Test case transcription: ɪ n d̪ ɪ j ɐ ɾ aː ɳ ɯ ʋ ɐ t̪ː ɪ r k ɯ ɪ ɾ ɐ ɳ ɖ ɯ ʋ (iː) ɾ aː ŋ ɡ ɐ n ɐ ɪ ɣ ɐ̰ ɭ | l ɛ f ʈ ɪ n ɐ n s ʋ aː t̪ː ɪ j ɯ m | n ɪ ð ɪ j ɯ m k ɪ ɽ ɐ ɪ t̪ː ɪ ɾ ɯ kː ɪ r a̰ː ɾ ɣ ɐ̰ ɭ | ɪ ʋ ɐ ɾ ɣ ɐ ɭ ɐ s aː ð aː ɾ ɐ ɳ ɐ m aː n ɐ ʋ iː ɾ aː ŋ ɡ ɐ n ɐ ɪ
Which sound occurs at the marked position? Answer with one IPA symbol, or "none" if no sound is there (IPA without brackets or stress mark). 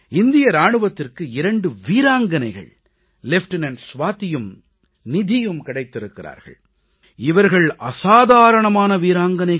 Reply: iː